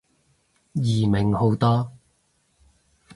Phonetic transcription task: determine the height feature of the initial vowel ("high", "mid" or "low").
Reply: high